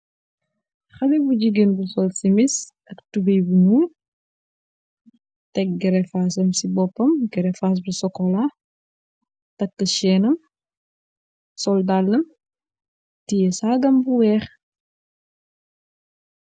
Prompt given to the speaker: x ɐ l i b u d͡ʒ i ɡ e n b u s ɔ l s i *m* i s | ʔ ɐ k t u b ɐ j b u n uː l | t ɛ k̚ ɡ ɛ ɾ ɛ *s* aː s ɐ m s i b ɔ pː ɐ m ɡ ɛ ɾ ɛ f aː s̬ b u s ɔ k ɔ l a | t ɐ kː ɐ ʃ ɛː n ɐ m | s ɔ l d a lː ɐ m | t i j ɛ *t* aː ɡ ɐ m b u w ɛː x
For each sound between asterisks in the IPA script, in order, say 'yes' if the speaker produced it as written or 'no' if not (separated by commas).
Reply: yes, no, no